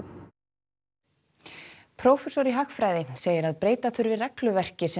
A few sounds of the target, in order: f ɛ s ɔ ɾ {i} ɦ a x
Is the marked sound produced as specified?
yes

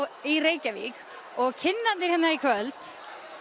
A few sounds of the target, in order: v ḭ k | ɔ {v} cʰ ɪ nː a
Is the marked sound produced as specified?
no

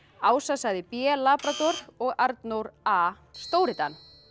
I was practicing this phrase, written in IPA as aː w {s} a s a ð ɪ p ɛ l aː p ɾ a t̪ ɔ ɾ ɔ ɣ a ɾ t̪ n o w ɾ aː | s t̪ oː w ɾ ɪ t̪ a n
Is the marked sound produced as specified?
yes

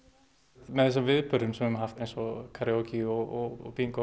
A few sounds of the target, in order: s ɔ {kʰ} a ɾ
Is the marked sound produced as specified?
yes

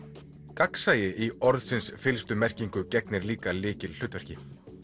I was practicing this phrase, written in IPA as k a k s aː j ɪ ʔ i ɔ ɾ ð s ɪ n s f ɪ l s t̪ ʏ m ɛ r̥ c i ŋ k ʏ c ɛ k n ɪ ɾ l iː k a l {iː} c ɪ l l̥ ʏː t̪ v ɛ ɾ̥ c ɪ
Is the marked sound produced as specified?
no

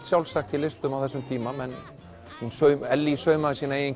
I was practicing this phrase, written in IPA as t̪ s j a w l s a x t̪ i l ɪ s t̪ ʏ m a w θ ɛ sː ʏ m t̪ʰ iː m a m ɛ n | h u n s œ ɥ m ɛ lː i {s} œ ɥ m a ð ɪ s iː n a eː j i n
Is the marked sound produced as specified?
yes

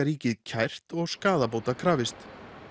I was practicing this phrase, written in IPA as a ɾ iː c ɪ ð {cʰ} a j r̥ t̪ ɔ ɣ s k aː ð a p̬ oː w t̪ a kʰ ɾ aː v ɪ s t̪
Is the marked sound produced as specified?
yes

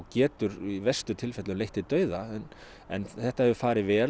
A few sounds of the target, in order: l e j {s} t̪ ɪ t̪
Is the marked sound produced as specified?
no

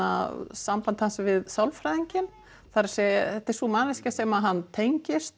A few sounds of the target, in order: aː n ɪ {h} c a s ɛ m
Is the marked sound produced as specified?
no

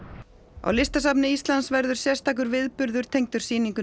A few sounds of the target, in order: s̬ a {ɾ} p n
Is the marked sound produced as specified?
no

